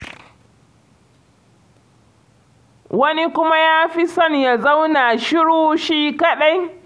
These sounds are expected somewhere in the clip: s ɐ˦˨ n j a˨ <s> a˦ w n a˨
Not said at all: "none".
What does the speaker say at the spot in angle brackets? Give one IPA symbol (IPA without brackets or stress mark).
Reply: z